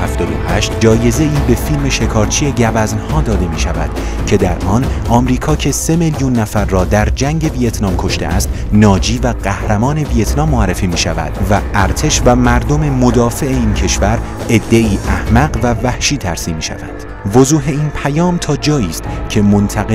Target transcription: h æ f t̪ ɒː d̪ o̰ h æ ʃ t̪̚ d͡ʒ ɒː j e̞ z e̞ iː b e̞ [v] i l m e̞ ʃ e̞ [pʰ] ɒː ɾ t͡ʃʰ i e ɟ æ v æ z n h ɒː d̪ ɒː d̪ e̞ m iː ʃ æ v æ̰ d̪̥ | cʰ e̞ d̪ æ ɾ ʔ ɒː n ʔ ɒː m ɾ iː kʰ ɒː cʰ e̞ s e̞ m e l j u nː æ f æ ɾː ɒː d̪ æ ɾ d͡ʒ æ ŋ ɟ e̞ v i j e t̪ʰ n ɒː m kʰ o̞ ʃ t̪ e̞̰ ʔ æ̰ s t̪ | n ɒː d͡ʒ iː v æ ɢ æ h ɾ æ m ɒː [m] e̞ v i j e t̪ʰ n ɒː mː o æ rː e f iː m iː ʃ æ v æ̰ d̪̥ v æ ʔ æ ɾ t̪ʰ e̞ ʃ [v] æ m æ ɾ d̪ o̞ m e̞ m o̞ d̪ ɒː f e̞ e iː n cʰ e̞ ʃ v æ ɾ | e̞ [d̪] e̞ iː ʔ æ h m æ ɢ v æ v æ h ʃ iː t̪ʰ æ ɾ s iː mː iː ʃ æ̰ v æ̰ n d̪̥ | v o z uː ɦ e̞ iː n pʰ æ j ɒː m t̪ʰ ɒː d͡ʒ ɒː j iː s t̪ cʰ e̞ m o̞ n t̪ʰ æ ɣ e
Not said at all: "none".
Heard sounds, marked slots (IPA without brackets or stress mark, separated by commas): f, kʰ, n, v, d̪ː